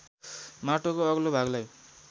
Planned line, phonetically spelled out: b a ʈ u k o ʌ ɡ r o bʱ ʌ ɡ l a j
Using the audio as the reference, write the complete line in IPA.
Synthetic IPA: m a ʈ o k o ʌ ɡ l o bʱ a ɡ l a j